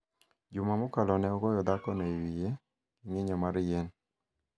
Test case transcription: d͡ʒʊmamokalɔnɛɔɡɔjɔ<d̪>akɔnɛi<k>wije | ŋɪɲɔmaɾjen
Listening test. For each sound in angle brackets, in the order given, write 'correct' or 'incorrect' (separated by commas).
correct, incorrect